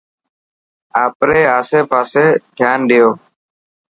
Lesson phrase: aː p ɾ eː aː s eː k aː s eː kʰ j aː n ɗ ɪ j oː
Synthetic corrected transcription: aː p ɾ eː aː s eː p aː s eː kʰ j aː n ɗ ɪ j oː

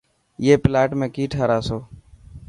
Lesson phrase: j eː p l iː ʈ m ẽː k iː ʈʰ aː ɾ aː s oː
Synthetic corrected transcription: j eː p l aː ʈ m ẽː k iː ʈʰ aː ɾ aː s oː

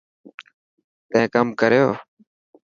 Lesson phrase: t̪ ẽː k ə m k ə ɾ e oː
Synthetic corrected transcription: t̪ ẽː k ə m k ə ɾ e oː

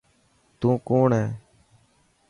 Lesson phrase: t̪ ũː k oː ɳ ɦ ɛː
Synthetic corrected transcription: t̪ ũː k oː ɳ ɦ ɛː

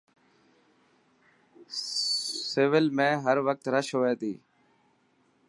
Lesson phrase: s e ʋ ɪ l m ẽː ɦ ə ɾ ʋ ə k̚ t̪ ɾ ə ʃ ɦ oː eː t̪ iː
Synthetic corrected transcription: s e ʋ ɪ l m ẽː ɦ ə ɾ ʋ ə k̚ t̪ ɾ ə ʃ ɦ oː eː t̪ iː

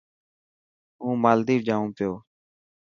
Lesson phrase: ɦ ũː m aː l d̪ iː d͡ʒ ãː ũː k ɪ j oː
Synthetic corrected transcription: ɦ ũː m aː l d̪ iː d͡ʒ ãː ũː p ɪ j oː

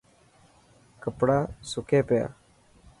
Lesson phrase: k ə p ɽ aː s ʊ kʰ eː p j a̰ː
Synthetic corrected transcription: k ə p ɽ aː s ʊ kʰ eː p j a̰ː

